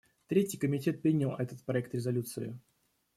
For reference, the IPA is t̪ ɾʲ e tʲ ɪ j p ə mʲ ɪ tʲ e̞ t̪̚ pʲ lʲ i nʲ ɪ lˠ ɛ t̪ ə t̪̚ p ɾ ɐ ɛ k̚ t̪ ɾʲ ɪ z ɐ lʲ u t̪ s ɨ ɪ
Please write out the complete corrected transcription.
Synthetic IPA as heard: t̪ ɾʲ e tʲ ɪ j k ə mʲ ɪ tʲ e̞ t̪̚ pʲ ɾʲ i nʲ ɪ lˠ ɛ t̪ ə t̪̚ p ɾ ɐ ɛ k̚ t̪ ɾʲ ɪ z ɐ lʲ u t̪ s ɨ ɪ